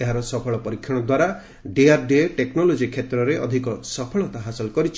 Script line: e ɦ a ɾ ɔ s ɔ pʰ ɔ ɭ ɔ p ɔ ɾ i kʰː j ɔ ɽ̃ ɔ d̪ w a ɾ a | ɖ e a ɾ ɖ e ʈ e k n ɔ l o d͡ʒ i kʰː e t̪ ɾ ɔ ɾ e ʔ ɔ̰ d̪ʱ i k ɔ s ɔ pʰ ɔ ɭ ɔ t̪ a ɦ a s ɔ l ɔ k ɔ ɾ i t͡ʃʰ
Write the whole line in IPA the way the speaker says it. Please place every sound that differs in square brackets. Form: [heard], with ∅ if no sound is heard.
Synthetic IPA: e ɦ a ɾ ɔ s ɔ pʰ ɔ ɭ ɔ p ɔ ɾ i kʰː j ɔ ɽ̃ ɔ d̪ w a ɾ a | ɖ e a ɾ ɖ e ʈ e k n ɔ l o d͡ʒ i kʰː e t̪ ɾ ɔ ɾ e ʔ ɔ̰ d̪ʱ i k ɔ s ɔ pʰ ɔ ɭ ɔ t̪ a ɦ a s ɔ l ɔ k ɔ ɾ i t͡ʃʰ